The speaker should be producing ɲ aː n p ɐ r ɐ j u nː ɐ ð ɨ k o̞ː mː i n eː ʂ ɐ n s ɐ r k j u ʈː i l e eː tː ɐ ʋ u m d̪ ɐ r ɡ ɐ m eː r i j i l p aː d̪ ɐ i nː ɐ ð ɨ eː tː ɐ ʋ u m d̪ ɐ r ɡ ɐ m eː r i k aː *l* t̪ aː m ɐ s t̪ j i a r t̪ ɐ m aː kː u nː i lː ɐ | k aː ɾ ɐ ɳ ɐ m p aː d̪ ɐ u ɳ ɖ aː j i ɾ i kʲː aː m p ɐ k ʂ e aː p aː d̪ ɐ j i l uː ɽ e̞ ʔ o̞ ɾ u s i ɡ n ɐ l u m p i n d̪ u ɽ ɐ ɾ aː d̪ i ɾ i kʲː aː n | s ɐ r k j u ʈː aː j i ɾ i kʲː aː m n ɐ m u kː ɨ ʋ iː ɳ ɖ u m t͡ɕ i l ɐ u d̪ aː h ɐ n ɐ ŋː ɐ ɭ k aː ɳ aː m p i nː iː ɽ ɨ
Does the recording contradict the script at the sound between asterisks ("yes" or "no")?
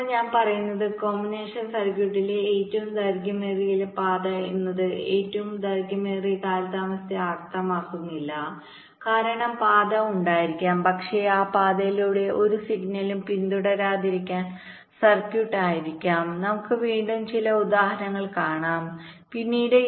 no